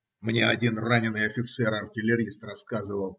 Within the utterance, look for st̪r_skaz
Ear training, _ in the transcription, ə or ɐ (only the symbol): ɐ